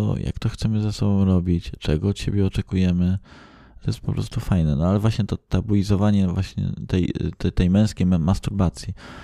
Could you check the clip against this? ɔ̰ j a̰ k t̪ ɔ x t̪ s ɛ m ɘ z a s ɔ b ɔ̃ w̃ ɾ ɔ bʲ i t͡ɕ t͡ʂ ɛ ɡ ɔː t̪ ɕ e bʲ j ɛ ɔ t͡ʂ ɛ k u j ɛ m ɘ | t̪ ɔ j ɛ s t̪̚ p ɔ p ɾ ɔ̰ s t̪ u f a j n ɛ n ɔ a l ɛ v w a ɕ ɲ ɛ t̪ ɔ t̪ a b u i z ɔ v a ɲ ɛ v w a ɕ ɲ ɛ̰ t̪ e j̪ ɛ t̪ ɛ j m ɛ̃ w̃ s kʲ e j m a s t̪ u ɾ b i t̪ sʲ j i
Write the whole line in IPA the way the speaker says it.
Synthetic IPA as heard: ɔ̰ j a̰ k t̪ ɔ x t̪ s ɛ m ɘ z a s ɔ b ɔ̃ w̃ ɾ ɔ bʲ i t͡ɕ t͡ʂ ɛ ɡ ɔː t̪ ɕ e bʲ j ɛ ɔ t͡ʂ ɛ k u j ɛ m ɘ | t̪ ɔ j ɛ s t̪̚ p ɔ p ɾ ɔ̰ s t̪ u f a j n ɛ n ɔ a l ɛ v w a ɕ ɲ ɛ t̪ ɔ t̪ a b u i z ɔ v a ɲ ɛ v w a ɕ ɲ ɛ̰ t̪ ɛ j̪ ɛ t̪ ɛ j m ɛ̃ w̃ s kʲ e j m a s t̪ u ɾ b a t̪ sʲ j i